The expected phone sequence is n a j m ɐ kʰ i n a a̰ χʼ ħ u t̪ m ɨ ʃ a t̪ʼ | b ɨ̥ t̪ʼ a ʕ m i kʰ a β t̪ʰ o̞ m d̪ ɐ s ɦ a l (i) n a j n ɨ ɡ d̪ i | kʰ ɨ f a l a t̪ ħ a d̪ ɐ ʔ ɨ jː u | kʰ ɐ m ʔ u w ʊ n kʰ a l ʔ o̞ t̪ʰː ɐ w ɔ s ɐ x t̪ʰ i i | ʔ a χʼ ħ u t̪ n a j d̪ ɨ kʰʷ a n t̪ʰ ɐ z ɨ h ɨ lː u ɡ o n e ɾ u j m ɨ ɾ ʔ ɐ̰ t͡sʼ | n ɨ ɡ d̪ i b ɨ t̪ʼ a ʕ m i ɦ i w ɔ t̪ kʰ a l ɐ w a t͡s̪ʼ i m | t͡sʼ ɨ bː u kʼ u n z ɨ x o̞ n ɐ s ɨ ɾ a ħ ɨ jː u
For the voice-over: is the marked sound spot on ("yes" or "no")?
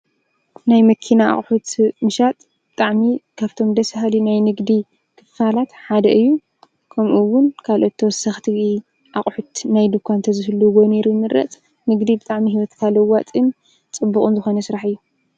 yes